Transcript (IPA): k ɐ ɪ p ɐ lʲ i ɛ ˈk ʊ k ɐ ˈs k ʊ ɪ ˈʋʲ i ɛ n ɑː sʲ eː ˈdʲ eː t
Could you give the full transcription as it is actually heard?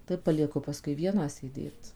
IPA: t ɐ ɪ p ɐ lʲ i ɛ ˈk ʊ p ɐ ˈs k ʊ ɪ ˈʋʲ i ɛ n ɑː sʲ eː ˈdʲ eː t